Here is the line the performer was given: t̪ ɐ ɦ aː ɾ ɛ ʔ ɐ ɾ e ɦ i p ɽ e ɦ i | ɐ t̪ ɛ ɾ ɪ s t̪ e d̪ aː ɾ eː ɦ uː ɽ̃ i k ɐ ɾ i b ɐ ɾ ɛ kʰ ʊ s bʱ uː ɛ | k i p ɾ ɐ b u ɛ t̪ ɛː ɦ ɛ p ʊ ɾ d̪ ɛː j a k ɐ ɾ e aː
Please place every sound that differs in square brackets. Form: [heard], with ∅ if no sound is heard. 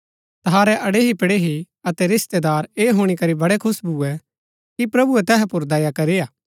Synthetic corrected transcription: t̪ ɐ ɦ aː ɾ ɛ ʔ ɐ [ɽ] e ɦ i p ɽ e ɦ i | ɐ t̪ ɛ ɾ ɪ s t̪ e d̪ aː ɾ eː ɦ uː ɽ̃ i k ɐ ɾ i b ɐ [ɽ] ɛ kʰ ʊ s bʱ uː ɛ | k i p ɾ ɐ b u ɛ t̪ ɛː ɦ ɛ p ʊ ɾ d̪ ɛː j a k ɐ ɾ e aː